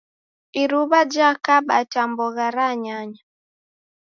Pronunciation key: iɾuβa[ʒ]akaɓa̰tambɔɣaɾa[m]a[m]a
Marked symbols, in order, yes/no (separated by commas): no, no, no